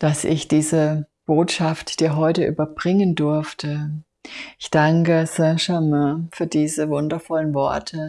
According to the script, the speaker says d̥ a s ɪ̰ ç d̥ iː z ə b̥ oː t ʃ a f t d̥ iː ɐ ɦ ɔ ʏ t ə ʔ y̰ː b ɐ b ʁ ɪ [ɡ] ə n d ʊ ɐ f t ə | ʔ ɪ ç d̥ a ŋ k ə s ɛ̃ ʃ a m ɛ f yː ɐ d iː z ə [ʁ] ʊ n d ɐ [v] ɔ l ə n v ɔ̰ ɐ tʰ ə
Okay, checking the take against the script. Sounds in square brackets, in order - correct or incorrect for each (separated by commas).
incorrect, incorrect, incorrect